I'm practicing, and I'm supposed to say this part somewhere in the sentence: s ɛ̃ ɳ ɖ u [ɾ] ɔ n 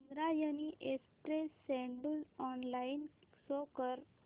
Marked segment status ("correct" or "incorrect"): incorrect